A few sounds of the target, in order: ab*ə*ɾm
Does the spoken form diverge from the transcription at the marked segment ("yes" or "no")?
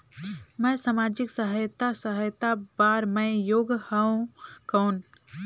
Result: yes